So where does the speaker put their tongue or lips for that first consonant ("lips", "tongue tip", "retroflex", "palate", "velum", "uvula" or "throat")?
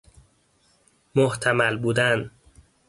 lips